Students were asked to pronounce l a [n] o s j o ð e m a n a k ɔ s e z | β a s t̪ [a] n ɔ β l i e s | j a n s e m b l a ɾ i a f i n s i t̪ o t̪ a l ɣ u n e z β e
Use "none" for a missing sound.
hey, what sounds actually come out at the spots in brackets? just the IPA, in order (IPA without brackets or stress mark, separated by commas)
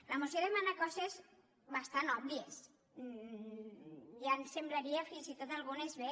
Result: m, a